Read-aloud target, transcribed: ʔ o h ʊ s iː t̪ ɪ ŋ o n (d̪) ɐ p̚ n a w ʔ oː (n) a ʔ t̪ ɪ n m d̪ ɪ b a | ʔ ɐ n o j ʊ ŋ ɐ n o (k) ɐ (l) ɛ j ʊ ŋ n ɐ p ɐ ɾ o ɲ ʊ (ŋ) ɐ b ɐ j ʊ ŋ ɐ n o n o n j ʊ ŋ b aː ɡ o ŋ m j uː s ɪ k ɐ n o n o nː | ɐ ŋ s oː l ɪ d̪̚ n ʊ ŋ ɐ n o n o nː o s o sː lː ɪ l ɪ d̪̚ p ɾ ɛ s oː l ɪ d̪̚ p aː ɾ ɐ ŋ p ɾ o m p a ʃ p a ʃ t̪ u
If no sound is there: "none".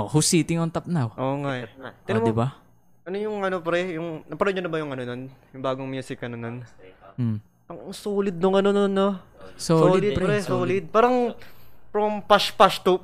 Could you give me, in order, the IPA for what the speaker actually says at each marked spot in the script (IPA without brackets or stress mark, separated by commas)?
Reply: t̪, ŋ, p, ɾ, n